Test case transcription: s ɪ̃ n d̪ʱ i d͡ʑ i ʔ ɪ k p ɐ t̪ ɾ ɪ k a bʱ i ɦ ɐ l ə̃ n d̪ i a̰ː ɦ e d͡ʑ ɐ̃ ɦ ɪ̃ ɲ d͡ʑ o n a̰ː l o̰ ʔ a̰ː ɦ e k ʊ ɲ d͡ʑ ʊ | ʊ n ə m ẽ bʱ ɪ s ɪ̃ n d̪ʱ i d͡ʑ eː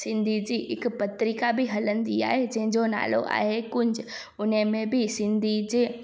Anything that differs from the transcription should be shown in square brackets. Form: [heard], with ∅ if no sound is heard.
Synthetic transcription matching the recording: s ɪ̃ n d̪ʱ i d͡ʑ i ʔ ɪ k p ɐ t̪ ɾ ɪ k a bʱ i ɦ ɐ l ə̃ n d̪ i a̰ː ɦ e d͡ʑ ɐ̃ ɦ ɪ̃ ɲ d͡ʑ o n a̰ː l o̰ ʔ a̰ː ɦ e k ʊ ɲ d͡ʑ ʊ | ʊ n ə m ẽ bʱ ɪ s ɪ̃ n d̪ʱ i d͡ʑ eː